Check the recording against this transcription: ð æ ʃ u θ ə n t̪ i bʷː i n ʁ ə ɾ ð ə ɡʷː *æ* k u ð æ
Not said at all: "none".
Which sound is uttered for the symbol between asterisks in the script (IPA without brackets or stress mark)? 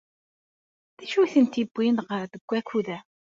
æ